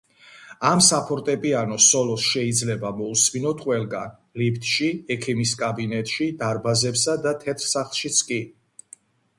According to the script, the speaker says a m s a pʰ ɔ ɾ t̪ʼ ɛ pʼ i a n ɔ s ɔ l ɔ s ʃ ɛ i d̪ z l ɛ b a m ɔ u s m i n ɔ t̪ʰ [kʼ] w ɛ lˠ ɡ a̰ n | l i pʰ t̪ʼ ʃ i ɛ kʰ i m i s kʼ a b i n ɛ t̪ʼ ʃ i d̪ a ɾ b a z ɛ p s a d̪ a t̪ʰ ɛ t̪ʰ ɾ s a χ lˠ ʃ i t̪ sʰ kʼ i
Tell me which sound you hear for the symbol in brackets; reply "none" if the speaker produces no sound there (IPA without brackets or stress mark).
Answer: qʼ